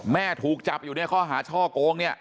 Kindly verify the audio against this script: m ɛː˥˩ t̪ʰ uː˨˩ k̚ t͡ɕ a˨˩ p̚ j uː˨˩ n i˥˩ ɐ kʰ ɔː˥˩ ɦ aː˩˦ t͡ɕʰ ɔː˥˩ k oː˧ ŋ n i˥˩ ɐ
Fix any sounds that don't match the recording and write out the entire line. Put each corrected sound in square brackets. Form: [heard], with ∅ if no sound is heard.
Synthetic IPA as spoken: m ɛː˥˩ t̪ʰ uː˨˩ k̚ t͡ɕ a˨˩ p̚ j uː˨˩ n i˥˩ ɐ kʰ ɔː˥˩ ɦ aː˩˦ t͡ɕʰ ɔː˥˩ k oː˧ ŋ n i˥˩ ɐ